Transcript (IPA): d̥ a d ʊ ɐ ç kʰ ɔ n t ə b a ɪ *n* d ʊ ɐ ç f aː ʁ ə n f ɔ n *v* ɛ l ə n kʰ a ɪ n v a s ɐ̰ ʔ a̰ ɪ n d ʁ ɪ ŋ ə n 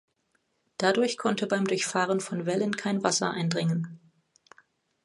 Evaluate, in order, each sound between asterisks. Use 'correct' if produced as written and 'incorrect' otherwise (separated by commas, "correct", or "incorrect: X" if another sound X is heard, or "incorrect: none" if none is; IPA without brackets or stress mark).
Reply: incorrect: m, correct